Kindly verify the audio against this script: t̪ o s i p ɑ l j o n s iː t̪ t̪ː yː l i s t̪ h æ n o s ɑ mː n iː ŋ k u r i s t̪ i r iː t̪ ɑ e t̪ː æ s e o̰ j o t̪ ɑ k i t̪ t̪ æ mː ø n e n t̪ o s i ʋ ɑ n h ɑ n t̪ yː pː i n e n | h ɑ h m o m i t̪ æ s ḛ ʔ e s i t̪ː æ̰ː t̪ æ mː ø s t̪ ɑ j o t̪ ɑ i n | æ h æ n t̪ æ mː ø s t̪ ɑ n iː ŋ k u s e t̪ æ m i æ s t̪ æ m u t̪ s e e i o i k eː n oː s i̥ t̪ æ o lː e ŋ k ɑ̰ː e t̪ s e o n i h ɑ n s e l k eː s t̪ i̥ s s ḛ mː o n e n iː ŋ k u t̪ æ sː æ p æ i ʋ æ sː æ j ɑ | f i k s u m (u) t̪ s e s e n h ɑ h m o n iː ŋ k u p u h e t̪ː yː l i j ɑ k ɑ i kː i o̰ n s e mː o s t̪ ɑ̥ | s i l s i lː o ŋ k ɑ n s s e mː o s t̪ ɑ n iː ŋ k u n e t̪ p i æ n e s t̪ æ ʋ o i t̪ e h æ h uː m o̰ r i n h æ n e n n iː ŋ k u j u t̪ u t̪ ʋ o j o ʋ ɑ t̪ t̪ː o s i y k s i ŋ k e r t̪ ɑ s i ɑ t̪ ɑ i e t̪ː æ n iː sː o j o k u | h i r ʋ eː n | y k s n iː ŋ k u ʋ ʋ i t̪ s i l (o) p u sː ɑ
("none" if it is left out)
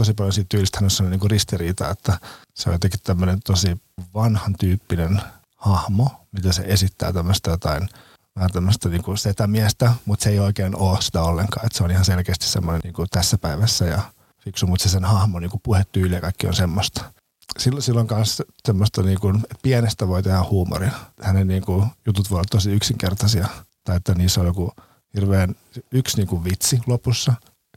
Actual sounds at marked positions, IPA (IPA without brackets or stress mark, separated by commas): u, o